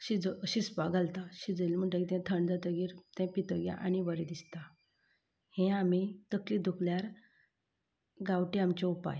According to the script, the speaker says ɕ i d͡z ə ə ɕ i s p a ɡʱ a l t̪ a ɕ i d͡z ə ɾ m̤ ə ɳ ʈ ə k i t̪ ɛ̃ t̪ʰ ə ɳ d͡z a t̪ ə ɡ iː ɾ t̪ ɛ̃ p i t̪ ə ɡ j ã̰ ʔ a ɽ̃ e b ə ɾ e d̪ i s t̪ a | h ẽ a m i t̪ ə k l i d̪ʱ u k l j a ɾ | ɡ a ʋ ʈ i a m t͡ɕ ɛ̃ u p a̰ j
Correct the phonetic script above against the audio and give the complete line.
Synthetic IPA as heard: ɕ i d͡z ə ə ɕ i s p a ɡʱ a l t̪ a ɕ i d͡z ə l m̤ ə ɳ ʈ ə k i t̪ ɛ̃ t̪ʰ ə ɳ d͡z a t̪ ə ɡ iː ɾ t̪ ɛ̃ p i t̪ ə ɡ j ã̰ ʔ a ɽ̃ i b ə ɾ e d̪ i s t̪ a | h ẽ a m i t̪ ə k l i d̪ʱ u k l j a ɾ | ɡ a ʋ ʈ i a m t͡ɕ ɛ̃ u p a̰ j